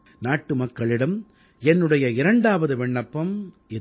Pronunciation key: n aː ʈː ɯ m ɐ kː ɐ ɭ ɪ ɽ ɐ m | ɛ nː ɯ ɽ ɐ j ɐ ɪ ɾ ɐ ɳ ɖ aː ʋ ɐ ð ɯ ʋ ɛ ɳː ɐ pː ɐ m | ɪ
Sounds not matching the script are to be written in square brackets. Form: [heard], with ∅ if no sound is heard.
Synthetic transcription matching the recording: n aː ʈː ɯ m ɐ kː ɐ ɭ ɪ ɽ ɐ m | ɛ nː ɯ ɽ ɐ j ɐ ɪ ɾ ɐ ɳ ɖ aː ʋ ɐ ð ɯ ʋ ɛ ɳː ɐ pː ɐ m | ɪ